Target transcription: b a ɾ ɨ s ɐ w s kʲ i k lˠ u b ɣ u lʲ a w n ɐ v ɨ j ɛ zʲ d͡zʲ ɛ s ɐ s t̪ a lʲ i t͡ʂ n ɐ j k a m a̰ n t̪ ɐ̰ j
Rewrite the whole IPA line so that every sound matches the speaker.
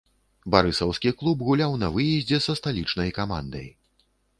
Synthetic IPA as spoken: b a ɾ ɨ s ɐ w s kʲ i k lˠ u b ɣ u lʲ a w n ɐ v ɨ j ɛ zʲ d͡zʲ ɛ s ɐ s t̪ a lʲ i t͡ʂ n ɐ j k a m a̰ n d̪ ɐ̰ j